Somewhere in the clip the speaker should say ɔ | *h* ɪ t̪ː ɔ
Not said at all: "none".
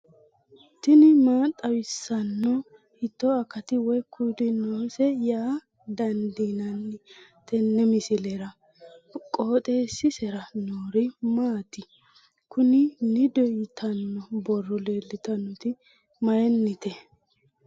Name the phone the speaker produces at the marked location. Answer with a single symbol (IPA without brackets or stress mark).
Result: h